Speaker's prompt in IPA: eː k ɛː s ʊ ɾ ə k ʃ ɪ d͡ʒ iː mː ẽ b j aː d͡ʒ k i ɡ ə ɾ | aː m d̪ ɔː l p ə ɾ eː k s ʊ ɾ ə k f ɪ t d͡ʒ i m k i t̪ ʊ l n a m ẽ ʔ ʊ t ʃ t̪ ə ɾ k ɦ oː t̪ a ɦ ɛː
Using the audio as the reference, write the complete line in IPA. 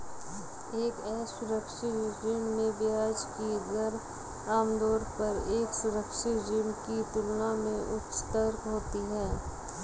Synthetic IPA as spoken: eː k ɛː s ʊ ɾ ə k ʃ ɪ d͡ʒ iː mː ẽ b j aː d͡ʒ k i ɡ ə ɾ | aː m d̪ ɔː ɾ p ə ɾ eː k s ʊ ɾ ə k ʃ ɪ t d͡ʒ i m k i t̪ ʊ l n a m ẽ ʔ ʊ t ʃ t̪ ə ɾ k ɦ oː t̪ i ɦ ɛː